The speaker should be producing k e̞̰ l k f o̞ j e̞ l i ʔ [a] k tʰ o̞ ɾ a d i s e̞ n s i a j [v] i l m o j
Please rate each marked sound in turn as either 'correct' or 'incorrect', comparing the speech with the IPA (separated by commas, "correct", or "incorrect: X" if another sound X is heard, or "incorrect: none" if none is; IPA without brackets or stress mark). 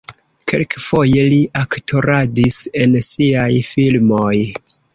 correct, incorrect: f